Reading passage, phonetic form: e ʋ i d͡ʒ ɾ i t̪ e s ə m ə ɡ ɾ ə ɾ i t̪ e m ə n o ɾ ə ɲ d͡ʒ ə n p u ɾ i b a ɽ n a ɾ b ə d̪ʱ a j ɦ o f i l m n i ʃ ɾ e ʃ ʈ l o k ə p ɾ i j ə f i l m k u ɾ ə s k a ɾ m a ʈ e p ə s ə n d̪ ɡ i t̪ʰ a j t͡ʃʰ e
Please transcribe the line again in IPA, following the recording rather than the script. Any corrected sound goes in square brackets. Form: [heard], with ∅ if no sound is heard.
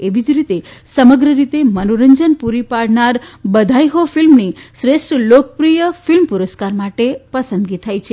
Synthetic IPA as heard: e ʋ i d͡ʒ ɾ i t̪ e s ə m ə ɡ ɾ ə ɾ i t̪ e m ə n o ɾ ə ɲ d͡ʒ ə n p u ɾ i [p] a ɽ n a ɾ b ə d̪ʱ a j ɦ o f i l m n i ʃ ɾ e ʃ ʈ l o k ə p ɾ i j ə f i l m [p] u ɾ ə s k a ɾ m a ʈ e p ə s ə n d̪ ɡ i t̪ʰ a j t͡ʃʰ e